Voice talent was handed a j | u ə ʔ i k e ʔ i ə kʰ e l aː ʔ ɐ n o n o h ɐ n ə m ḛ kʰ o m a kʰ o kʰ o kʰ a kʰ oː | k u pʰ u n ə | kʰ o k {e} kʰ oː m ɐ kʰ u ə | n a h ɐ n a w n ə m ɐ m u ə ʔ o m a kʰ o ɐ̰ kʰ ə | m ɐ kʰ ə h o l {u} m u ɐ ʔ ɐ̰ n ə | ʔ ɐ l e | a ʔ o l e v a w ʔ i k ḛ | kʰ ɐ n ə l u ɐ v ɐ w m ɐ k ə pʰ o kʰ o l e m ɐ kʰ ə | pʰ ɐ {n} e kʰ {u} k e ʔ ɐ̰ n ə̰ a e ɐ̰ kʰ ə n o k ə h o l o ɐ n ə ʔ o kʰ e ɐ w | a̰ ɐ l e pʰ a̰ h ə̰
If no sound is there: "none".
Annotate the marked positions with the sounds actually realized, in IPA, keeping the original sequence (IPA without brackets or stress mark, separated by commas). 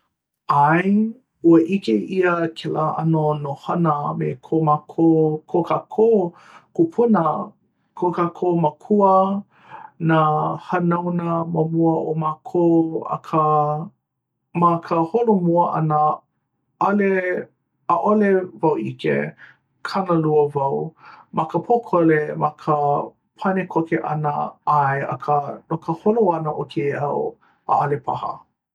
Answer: a, o, n, o